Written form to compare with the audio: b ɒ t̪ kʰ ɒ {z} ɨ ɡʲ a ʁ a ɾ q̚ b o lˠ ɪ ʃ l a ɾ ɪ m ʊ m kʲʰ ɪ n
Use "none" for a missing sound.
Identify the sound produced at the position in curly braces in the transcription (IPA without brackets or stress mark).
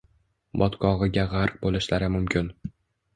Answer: ʁ